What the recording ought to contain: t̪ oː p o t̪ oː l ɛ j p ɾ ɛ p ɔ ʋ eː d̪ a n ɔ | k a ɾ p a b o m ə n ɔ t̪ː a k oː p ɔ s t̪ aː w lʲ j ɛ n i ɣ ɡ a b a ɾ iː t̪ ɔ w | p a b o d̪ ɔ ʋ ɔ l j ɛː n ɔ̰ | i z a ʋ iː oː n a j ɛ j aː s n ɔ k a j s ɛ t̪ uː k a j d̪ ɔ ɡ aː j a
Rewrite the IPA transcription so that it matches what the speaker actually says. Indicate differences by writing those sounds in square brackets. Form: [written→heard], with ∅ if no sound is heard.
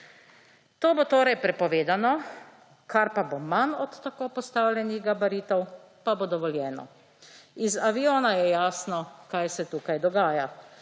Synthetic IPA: t̪ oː [p→b] o t̪ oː [l→ɾ] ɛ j p ɾ ɛ p ɔ ʋ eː d̪ a n ɔ | k a ɾ p a b o m [ə→a] n ɔ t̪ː a k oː p ɔ s t̪ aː w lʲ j ɛ n i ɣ ɡ a b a ɾ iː t̪ ɔ w | p a b o d̪ ɔ ʋ ɔ l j ɛː n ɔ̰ | i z a ʋ [iː→i] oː n a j ɛ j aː s n ɔ k a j s ɛ t̪ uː k a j d̪ ɔ ɡ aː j a